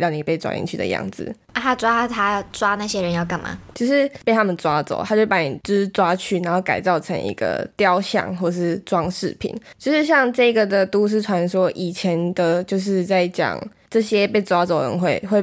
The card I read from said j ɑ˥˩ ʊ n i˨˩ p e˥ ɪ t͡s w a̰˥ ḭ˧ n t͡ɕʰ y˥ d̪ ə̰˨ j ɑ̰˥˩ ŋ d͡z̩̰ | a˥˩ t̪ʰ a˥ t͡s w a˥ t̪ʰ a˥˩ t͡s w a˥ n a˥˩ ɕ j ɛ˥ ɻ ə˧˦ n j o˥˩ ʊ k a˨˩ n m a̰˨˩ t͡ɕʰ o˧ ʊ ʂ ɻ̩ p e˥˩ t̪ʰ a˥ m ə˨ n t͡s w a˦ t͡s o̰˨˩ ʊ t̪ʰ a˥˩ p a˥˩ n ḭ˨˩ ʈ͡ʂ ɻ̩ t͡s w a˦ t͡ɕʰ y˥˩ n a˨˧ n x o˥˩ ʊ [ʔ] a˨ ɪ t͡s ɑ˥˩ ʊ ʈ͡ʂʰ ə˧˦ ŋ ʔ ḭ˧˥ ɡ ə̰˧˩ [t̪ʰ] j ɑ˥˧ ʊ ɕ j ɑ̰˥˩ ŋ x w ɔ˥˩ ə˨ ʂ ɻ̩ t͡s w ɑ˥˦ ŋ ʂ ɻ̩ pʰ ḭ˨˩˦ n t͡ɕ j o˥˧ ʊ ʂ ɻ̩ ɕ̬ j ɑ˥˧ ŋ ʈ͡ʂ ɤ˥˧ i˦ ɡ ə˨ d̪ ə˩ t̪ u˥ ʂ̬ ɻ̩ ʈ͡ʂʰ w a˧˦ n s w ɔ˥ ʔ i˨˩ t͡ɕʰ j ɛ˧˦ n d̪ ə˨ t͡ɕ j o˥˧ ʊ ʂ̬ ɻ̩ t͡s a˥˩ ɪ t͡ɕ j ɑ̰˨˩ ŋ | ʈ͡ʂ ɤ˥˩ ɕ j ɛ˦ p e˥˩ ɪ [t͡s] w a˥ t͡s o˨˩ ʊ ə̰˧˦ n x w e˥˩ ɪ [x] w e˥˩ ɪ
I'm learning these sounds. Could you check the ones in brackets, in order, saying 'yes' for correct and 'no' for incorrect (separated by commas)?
no, no, yes, yes